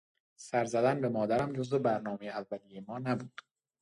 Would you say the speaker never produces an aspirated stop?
yes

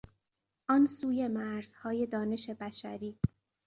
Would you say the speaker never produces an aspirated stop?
yes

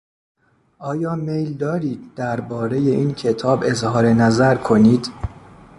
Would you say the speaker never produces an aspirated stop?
no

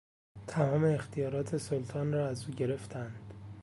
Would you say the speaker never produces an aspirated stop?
no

